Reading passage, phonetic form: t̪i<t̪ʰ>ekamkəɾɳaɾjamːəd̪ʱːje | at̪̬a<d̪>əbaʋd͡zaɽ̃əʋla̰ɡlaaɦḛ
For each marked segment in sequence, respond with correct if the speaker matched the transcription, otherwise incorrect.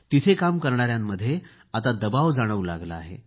correct, correct

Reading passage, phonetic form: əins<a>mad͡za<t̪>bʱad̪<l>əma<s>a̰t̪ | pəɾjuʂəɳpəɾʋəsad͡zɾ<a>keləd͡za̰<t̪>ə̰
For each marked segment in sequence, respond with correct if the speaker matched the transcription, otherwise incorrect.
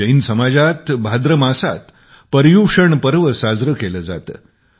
incorrect: ə, correct, incorrect: ɾ, correct, incorrect: ə, correct

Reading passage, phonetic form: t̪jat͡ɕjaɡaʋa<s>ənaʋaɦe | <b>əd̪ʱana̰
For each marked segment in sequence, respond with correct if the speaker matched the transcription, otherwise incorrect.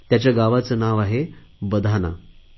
incorrect: t͡s, correct

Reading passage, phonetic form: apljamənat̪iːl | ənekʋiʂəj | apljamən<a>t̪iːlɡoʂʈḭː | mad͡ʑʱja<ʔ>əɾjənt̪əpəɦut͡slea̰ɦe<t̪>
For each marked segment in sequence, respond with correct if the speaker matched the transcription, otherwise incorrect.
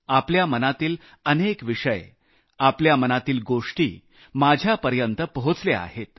correct, incorrect: p, correct

